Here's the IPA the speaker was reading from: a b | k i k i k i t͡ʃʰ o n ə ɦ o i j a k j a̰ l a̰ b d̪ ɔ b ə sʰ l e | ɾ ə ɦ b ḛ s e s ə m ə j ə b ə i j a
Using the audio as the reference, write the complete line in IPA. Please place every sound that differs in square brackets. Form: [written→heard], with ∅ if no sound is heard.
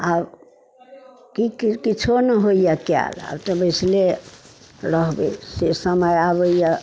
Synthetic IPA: a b | k i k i k i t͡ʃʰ o n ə ɦ o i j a k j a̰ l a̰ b [d̪→t̪] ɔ b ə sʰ l e | ɾ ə ɦ b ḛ s e s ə m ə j [ə→a] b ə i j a

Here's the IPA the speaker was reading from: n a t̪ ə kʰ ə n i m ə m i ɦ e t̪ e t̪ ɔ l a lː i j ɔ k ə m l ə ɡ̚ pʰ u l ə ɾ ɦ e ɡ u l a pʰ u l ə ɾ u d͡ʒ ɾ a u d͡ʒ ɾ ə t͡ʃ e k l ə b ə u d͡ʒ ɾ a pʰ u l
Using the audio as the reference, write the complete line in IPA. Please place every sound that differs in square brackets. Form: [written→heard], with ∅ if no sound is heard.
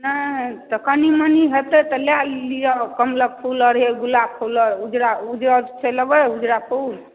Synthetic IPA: n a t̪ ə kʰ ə n i m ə [m→n] i ɦ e t̪ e t̪ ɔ l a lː i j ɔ k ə m l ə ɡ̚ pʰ u l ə ɾ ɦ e ɡ u l a pʰ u l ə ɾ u d͡ʒ ɾ a u d͡ʒ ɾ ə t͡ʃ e [k→∅] l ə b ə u d͡ʒ ɾ a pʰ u l

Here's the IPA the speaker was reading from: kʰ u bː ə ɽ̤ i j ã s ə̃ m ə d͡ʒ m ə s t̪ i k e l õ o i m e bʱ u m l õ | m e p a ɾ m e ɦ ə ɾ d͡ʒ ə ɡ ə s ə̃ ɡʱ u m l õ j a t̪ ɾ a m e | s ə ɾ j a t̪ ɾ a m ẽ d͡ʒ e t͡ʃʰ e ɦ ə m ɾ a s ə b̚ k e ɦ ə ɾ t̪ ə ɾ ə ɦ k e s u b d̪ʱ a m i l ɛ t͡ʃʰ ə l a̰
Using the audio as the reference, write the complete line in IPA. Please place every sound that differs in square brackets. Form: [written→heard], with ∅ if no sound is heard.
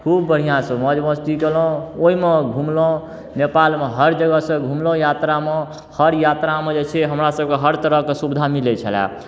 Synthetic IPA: kʰ u bː ə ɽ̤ i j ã s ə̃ m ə d͡ʒ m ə s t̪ i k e l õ o i m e [bʱ→ɡʱ] u m l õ | [m→n] e p a [ɾ→l] m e ɦ ə ɾ d͡ʒ ə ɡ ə s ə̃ ɡʱ u m l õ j a t̪ ɾ a m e | [s→h] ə ɾ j a t̪ ɾ a m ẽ d͡ʒ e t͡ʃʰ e ɦ ə m ɾ a s ə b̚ k e ɦ ə ɾ t̪ ə ɾ ə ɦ k e s u b d̪ʱ a m i l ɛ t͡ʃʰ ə l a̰

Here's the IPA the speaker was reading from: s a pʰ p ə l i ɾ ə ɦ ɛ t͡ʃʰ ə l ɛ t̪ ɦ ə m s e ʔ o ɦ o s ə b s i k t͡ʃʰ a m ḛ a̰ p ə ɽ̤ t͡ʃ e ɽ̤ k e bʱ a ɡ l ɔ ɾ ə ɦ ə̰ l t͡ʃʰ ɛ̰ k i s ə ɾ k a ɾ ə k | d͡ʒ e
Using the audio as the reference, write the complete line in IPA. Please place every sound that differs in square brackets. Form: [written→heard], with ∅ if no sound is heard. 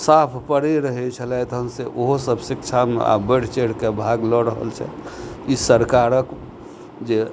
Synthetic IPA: s a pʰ p ə [l→ɽ] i ɾ ə ɦ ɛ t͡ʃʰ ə l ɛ t̪ ɦ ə m s e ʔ o ɦ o s ə b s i k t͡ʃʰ a m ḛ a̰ [p→b] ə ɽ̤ t͡ʃ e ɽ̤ k e bʱ a ɡ l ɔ ɾ ə ɦ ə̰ l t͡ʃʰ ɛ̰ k i s ə ɾ k a ɾ ə k | d͡ʒ e

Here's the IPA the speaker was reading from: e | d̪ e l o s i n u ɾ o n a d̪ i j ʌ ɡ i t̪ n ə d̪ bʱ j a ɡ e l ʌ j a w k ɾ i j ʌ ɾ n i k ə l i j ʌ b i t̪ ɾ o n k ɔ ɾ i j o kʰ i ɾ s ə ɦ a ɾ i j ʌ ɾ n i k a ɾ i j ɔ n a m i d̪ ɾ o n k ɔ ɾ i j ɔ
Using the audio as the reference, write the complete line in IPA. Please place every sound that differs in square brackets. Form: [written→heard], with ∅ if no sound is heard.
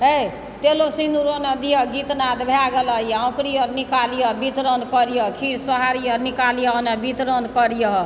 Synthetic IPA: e | [d̪→t̪] e l o s i n u ɾ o n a d̪ i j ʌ ɡ i t̪ n [ə→a] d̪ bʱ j a ɡ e l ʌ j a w k ɾ i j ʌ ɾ n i k [ə→a] l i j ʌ b i t̪ ɾ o n k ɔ ɾ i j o kʰ i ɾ s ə ɦ a ɾ i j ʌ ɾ n i k a [ɾ→l] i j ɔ n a [m→b] i [d̪→t̪] ɾ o n k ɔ ɾ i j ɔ

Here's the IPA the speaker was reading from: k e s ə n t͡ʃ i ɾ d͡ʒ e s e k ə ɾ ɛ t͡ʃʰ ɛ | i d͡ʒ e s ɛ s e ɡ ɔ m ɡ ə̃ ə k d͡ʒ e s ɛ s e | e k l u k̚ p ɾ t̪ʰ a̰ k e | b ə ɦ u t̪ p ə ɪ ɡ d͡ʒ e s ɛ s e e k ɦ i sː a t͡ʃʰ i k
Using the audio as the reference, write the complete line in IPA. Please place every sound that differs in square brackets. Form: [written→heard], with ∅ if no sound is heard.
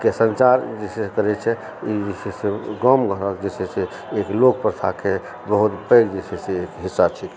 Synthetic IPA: k e s ə n t͡ʃ [i→a] ɾ d͡ʒ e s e k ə ɾ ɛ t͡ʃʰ ɛ | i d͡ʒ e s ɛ s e ɡ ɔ m ɡ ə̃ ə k d͡ʒ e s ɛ s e | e k l [u→o] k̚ p ɾ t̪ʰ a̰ k e | b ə ɦ u t̪ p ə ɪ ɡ d͡ʒ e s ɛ s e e k ɦ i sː a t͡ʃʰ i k

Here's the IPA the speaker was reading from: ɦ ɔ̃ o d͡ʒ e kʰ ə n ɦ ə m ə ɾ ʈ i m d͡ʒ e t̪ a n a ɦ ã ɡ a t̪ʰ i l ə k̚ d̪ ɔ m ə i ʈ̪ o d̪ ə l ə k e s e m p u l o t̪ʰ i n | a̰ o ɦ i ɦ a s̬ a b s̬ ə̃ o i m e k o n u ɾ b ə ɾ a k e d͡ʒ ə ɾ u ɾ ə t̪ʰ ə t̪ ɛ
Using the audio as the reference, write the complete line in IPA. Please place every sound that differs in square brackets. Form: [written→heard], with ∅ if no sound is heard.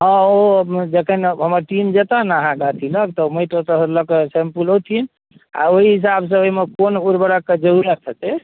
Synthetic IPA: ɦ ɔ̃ o d͡ʒ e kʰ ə n ɦ ə m ə ɾ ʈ i m d͡ʒ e t̪ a n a ɦ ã ɡ a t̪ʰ i l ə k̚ [d̪→t̪] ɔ m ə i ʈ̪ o [d̪→t̪] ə l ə k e s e m p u l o t̪ʰ i n | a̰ o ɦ i ɦ [a→i] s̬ a b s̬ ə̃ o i m e k o n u ɾ b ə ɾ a k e d͡ʒ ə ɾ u ɾ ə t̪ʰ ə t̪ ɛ

